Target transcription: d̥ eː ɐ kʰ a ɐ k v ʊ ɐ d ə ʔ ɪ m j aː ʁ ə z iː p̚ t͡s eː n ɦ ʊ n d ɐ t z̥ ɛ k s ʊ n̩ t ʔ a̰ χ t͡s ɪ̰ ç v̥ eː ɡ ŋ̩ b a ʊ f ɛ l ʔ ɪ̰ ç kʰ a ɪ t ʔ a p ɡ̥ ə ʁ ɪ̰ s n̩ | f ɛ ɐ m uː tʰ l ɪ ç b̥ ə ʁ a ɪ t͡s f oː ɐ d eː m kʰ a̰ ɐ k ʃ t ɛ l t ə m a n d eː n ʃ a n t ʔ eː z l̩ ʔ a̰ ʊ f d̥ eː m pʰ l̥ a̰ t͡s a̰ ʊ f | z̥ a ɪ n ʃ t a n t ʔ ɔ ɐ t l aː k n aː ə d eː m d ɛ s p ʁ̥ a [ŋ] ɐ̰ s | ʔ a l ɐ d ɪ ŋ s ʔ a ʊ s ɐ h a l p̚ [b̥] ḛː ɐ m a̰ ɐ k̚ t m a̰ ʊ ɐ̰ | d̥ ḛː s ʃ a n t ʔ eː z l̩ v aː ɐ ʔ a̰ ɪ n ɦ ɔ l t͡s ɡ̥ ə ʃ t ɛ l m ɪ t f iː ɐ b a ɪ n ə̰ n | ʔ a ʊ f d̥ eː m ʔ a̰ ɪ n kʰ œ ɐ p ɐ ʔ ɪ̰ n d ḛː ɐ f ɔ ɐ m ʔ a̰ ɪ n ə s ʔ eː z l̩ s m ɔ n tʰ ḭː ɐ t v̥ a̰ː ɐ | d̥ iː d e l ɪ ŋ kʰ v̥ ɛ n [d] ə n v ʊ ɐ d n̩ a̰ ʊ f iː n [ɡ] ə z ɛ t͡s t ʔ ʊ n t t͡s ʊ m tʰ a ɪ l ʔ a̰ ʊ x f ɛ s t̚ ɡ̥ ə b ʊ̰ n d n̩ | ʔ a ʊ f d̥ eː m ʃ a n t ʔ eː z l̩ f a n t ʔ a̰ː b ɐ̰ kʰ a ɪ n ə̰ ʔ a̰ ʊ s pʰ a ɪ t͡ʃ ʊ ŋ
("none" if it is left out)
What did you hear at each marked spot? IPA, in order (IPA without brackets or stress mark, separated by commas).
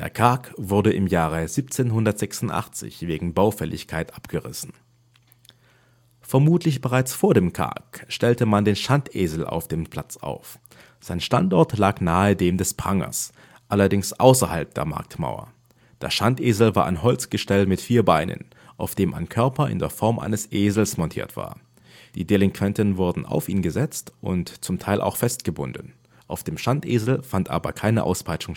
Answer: ŋ, d̥, t, ɡ